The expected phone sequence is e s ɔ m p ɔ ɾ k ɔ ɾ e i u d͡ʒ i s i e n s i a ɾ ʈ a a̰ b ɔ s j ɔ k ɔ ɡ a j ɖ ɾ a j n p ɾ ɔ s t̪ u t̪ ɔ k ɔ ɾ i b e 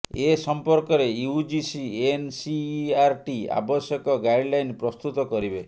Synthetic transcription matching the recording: e s ɔ m p ɔ ɾ k ɔ ɾ e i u d͡ʒ i s i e n s i a ɾ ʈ i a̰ b ɔ s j ɔ k ɔ ɡ a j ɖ l a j n p ɾ ɔ s t̪ u t̪ ɔ k ɔ ɾ i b e